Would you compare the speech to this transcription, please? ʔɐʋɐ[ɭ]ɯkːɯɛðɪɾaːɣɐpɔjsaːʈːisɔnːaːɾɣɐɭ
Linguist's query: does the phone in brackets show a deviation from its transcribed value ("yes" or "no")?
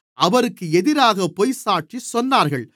yes